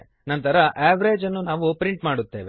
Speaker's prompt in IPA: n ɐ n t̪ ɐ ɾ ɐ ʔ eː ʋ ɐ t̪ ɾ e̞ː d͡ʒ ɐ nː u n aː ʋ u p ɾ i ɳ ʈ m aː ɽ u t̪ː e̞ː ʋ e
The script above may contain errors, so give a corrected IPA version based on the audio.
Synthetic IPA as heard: n ɐ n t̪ ɐ ɾ ɐ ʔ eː ʋ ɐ ɾ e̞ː d͡ʒ ɐ nː u n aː ʋ u p ɾ i ɳ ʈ m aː ɽ u t̪ː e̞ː ʋ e